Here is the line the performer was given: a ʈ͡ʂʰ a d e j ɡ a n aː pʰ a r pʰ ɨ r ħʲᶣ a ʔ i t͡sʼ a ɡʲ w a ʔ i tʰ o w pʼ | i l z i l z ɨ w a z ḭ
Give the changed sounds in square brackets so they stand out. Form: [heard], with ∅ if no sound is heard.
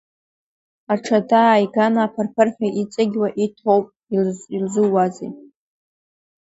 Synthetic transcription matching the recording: a ʈ͡ʂʰ a d [a] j ɡ a n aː pʰ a r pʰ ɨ r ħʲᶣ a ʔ i t͡sʼ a ɡʲ w a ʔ i tʰ o w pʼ | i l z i l z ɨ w a z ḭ